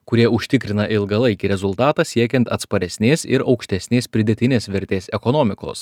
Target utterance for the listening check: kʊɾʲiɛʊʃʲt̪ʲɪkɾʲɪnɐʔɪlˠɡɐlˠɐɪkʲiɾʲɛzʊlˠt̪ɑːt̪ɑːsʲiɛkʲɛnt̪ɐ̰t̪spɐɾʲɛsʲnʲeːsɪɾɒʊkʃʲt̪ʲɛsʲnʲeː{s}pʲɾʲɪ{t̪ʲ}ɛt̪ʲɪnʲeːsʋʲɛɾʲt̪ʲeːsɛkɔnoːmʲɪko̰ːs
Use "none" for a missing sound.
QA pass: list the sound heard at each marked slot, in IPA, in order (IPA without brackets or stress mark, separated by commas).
s, d̪ʲ